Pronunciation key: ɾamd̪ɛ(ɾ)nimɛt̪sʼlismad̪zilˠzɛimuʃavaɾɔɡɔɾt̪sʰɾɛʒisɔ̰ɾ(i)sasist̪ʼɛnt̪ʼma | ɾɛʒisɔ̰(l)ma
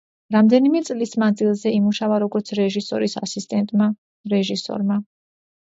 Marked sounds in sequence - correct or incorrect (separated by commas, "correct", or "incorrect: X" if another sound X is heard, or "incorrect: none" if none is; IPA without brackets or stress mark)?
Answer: incorrect: none, correct, incorrect: ɾ